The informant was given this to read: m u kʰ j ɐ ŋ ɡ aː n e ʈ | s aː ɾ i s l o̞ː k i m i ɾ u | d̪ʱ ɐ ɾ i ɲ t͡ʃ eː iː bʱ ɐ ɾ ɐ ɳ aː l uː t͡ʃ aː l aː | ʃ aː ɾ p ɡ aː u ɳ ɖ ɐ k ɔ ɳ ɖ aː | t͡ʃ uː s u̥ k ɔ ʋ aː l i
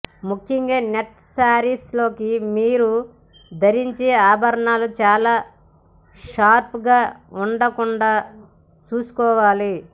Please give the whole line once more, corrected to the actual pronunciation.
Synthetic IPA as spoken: m u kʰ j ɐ ŋ ɡ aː n e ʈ | s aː ɾ i s l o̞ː k i m iː ɾ u | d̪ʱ ɐ ɾ i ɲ t͡ʃ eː aː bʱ ɐ ɾ ɐ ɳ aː l u t͡ʃ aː l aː | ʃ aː ɾ p ɡ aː u ɳ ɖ ɐ k u ɳ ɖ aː | t͡ʃ uː s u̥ k ɔː ʋ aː l i